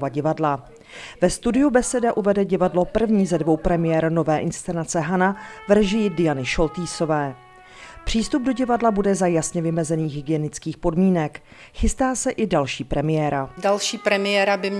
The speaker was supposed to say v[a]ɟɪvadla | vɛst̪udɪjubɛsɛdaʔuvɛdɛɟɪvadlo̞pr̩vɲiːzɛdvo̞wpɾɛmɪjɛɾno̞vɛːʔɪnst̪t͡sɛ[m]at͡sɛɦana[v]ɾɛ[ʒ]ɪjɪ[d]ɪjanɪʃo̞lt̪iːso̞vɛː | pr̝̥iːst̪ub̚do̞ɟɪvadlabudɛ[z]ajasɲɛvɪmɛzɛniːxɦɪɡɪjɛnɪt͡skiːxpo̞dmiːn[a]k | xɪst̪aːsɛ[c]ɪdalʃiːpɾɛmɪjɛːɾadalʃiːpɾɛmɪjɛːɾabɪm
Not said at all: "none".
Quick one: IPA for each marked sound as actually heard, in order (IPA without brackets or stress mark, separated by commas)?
a, n, v, ʒ, d, z, ɛ, ʔ